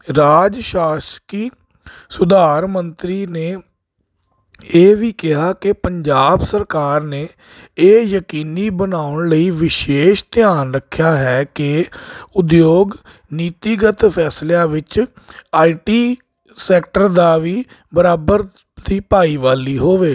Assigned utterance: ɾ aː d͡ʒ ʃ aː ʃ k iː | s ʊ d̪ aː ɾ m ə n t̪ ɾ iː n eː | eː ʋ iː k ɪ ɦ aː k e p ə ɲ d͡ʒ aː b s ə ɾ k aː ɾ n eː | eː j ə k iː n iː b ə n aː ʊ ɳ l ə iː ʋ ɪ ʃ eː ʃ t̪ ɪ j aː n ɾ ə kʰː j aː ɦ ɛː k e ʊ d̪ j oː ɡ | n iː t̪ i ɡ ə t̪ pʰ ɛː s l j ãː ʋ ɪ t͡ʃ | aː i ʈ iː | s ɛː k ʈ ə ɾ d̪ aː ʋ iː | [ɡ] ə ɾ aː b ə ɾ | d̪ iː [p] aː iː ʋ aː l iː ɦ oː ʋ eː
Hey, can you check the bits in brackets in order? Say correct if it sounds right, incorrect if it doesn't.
incorrect: b, correct

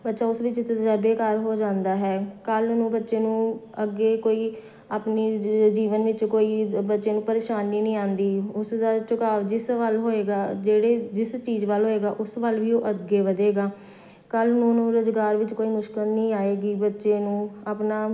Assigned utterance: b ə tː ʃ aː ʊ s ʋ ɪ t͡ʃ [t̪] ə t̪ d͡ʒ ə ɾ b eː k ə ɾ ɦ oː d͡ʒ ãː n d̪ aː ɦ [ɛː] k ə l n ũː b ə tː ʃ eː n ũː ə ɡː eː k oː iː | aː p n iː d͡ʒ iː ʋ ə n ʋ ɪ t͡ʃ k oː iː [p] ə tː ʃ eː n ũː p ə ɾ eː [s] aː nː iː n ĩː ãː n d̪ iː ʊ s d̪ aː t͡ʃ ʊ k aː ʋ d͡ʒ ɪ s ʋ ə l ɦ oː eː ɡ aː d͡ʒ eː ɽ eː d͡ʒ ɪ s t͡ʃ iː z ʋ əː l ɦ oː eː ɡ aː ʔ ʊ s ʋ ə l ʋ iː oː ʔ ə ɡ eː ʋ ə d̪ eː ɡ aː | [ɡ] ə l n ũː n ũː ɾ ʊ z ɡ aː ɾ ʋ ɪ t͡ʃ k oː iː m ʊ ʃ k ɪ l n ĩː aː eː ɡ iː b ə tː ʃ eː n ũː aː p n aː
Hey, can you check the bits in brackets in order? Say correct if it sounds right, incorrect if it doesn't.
correct, correct, incorrect: b, incorrect: ʃ, incorrect: k

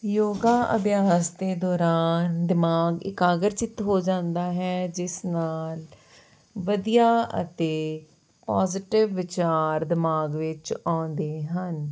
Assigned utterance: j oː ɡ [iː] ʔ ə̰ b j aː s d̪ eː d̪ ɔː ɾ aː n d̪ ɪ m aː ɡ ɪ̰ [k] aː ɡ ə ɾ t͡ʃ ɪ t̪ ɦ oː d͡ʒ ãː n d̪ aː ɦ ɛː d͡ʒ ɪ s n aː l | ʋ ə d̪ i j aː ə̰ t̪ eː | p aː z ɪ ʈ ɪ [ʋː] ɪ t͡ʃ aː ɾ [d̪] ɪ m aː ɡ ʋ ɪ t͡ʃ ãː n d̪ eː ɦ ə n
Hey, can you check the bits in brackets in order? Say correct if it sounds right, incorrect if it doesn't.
incorrect: aː, correct, correct, correct

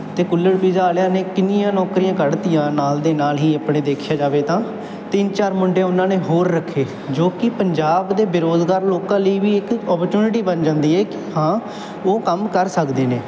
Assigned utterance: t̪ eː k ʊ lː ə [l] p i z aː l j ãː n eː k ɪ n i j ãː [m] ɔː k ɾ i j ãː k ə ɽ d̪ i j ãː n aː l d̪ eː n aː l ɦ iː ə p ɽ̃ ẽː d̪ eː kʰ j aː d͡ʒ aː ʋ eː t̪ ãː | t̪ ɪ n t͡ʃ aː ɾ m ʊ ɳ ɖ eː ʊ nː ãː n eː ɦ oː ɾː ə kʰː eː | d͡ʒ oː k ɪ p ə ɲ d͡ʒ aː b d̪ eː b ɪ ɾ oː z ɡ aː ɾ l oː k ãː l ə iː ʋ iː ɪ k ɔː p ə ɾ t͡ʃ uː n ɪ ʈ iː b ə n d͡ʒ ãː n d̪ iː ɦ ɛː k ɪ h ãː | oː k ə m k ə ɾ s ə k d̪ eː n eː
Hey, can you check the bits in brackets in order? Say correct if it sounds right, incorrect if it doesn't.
incorrect: ɽ, incorrect: n

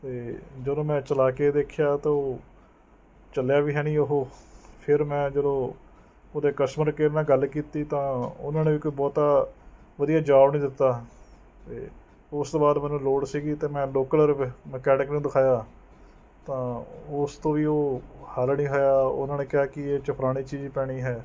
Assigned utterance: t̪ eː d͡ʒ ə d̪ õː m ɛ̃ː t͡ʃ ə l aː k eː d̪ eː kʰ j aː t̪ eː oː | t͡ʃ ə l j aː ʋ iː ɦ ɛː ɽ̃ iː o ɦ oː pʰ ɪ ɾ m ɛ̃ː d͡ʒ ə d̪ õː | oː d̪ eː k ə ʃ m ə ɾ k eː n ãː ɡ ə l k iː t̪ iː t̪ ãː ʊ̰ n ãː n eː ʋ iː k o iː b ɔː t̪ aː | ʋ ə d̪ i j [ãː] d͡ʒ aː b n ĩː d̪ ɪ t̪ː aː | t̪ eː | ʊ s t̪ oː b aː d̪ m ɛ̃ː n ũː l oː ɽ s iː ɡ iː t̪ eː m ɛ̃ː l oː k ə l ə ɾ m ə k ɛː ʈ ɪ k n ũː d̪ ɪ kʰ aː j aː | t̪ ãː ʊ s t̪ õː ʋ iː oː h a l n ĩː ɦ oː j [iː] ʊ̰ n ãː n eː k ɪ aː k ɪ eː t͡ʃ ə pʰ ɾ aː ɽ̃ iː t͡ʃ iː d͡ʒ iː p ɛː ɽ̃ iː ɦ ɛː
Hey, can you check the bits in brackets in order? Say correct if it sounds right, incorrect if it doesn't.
incorrect: aː, incorrect: aː

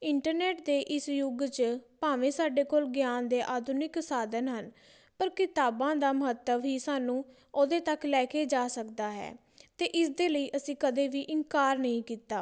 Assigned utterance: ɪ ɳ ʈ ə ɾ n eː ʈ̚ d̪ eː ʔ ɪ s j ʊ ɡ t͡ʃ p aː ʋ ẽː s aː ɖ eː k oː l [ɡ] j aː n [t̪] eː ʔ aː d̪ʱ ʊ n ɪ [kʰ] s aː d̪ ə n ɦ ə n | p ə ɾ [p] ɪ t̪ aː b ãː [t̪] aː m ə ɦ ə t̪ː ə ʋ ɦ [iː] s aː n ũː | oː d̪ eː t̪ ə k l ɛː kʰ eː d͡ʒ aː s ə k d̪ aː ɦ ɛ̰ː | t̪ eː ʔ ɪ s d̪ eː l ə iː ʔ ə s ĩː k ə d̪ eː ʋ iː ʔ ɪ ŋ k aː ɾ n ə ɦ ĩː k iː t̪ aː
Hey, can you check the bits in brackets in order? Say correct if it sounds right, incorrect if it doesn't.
correct, incorrect: d̪, incorrect: k, incorrect: k, incorrect: d̪, correct

